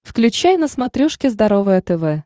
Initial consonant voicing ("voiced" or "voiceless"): voiceless